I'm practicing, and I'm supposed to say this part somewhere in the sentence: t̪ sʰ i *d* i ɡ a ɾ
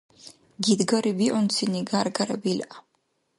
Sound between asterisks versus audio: incorrect: n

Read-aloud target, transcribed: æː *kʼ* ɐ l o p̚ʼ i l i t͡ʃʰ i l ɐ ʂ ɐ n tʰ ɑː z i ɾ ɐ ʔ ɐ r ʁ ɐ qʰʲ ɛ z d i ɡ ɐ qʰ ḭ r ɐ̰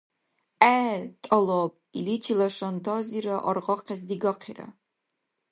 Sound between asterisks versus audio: incorrect: tʼ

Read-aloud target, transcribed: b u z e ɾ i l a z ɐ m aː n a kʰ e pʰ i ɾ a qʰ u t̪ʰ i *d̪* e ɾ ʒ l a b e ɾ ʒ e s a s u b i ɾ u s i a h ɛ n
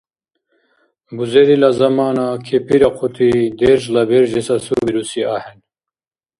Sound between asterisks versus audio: correct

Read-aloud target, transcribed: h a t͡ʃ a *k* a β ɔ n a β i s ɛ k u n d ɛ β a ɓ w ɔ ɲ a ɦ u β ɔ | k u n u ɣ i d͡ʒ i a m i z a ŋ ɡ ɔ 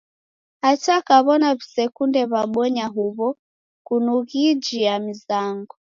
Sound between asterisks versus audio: correct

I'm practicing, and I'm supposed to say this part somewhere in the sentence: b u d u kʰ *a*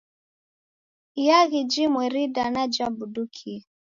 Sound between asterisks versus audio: incorrect: i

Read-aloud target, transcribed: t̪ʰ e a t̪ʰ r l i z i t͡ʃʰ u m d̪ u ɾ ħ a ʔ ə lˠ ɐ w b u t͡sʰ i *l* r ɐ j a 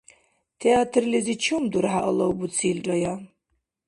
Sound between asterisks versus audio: correct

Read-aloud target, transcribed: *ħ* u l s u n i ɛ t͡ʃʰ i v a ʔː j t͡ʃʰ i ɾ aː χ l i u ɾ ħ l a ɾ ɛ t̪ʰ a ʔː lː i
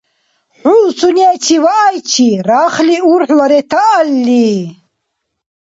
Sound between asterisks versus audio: correct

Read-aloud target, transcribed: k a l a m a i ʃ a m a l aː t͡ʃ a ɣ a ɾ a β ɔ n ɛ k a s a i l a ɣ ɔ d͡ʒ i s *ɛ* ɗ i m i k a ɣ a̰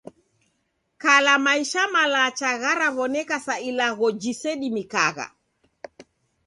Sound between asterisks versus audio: correct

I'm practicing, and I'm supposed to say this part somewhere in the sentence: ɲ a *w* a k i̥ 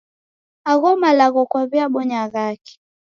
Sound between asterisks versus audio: incorrect: ɣ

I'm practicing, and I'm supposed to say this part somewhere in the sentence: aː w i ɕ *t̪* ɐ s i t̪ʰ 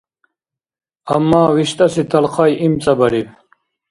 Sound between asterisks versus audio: correct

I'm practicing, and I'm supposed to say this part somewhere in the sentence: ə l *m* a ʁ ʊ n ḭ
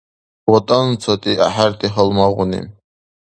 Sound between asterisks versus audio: correct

